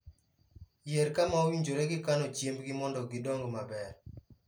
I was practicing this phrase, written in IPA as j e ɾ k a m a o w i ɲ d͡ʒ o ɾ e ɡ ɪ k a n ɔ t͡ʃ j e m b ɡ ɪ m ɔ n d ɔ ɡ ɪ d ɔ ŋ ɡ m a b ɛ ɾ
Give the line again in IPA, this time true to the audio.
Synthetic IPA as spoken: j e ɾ k a m a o w i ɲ d͡ʒ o ɾ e ɡ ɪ k a n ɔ t͡ʃ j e m b ɡ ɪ m ɔ n d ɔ ɡ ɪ d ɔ ŋ ɡ m a b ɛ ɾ